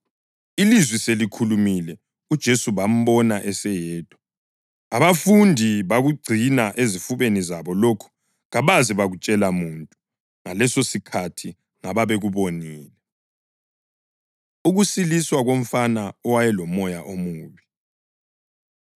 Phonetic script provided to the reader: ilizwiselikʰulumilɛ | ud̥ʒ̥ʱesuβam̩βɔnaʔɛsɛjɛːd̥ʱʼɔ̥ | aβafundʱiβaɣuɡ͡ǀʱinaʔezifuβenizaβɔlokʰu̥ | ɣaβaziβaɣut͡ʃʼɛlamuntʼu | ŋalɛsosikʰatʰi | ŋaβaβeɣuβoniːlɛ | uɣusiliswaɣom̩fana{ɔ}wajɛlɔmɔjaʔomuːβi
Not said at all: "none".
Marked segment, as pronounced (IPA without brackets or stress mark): ɔ